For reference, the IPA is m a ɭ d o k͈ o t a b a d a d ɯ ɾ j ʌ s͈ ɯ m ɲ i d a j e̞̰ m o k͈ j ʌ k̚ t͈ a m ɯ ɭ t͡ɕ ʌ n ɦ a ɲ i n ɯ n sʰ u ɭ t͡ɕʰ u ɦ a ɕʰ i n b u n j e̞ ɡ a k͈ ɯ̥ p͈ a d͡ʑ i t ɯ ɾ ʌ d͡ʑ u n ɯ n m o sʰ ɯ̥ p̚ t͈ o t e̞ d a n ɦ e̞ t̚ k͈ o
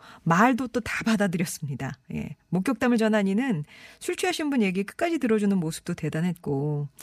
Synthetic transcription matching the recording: m a ɭ d o t͈ o t a b a d a d ɯ ɾ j ʌ s͈ ɯ m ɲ i d a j e̞̰ m o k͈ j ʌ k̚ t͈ a m ɯ ɭ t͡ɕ ʌ n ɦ a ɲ i n ɯ n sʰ u ɭ t͡ɕʰ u ɦ a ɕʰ i n b u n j e̞ ɡ i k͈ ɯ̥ k͈ a d͡ʑ i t ɯ ɾ ʌ d͡ʑ u n ɯ n m o sʰ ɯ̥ p̚ t͈ o t e̞ d a n ɦ e̞ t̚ k͈ o